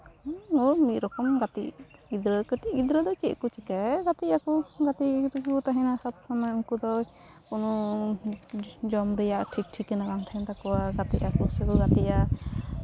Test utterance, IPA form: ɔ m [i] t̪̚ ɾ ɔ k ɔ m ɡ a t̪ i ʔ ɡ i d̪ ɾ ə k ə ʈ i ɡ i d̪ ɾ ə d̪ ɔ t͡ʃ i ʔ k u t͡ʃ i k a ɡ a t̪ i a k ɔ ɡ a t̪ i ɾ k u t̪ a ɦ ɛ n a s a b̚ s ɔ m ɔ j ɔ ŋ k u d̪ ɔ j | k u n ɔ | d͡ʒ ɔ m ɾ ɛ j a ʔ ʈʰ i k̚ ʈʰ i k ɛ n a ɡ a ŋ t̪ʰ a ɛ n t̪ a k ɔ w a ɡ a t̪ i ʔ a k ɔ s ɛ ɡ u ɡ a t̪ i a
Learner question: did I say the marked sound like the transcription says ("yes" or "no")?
yes